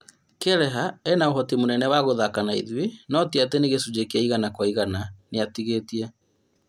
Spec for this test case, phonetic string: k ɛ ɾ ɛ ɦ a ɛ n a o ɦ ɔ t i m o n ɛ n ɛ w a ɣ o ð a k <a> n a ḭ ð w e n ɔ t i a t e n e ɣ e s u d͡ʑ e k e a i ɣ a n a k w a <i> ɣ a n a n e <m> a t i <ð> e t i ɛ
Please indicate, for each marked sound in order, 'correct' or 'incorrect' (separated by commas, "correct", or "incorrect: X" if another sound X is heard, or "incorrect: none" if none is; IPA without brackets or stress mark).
correct, correct, incorrect: none, incorrect: ɣ